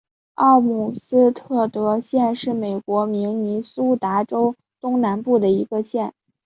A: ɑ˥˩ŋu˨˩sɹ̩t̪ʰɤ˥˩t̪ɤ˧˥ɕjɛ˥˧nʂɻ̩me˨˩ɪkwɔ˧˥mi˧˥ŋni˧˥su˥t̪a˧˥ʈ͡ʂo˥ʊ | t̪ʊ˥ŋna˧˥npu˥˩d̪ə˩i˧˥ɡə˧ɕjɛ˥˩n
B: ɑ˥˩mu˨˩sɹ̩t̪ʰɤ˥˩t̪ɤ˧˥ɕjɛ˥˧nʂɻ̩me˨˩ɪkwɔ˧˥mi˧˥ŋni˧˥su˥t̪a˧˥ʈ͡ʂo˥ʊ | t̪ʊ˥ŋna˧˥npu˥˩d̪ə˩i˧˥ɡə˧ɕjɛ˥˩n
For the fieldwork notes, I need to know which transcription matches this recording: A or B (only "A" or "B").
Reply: B